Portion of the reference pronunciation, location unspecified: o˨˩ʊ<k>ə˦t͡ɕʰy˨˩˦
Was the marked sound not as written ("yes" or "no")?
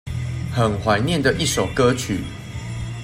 no